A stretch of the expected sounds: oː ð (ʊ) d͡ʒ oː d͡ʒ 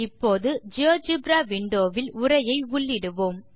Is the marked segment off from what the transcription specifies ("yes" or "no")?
yes